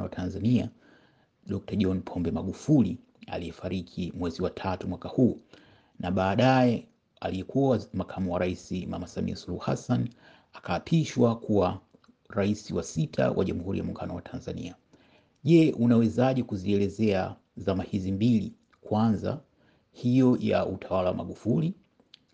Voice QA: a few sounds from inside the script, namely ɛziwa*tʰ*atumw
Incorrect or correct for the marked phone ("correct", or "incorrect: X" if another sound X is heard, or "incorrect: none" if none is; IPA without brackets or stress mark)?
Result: correct